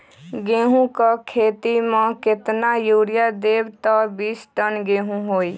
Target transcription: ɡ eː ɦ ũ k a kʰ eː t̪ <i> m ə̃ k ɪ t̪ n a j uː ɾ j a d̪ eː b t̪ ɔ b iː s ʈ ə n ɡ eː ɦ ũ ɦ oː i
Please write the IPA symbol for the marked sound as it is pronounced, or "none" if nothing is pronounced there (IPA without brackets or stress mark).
i